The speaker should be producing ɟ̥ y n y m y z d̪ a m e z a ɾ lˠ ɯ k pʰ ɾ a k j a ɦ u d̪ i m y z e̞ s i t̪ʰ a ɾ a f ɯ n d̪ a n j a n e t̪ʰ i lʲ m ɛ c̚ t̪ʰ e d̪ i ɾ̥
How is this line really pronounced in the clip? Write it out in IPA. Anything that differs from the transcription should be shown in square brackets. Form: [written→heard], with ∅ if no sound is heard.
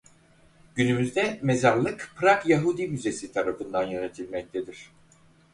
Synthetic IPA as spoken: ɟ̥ y n y m y z d̪ [a→ɛ] m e z a ɾ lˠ ɯ k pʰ ɾ a k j a ɦ u d̪ i m y z e̞ s i t̪ʰ a ɾ a f ɯ n d̪ a n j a n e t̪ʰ i lʲ m ɛ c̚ t̪ʰ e d̪ i ɾ̥